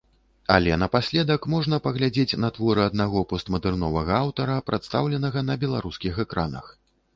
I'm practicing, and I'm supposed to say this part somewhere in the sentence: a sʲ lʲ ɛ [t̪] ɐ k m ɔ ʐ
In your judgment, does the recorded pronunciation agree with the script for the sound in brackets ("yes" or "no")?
no